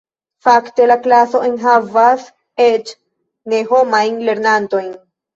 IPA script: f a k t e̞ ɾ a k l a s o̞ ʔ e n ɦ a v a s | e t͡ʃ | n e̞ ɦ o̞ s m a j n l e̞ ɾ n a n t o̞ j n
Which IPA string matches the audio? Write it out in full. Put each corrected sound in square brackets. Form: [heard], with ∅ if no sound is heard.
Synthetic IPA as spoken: f a k t e̞ [l] a k l a s o̞ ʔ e n ɦ a v a s | e t͡ʃ | n e̞ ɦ o̞ [∅] m a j n l e̞ ɾ n a n t o̞ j n